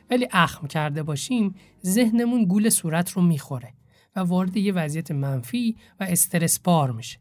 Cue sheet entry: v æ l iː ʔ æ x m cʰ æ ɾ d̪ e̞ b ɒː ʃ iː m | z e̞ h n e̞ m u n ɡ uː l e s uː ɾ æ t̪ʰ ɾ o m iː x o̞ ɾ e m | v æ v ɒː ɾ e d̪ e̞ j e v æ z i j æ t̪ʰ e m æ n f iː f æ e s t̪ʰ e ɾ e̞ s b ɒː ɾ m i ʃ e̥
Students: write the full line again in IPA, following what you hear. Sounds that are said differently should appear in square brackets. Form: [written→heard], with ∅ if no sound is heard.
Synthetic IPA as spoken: v æ l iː ʔ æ x m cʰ æ ɾ d̪ e̞ b ɒː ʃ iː m | z e̞ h n e̞ m u n ɡ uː l e s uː ɾ æ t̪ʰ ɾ o m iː x o̞ ɾ e [m→∅] | v æ v ɒː ɾ e d̪ e̞ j e v æ z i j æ t̪ʰ e m æ n f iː [f→v] æ e s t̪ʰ e ɾ e̞ s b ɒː ɾ m i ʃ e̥